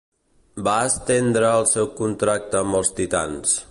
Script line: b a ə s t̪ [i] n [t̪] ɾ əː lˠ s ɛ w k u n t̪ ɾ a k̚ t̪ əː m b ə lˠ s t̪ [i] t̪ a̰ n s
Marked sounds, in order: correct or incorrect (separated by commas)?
incorrect, incorrect, correct